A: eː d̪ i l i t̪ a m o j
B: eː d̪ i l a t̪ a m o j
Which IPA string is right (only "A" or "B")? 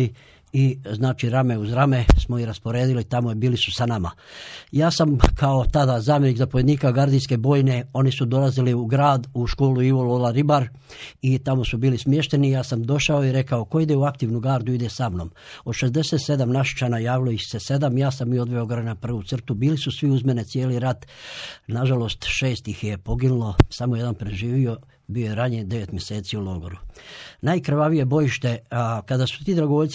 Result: A